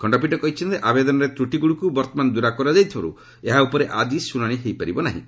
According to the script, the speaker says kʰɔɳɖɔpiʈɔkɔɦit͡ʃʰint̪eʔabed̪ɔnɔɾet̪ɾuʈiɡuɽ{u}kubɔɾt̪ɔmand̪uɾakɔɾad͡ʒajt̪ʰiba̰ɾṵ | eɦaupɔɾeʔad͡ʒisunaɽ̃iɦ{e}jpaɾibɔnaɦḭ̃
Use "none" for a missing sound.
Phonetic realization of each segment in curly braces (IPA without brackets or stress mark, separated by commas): u, e